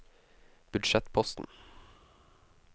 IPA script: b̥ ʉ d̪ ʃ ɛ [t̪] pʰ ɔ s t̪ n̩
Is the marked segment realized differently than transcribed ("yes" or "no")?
no